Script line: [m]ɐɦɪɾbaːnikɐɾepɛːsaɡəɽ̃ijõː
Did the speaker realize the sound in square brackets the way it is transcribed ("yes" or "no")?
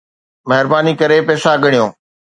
yes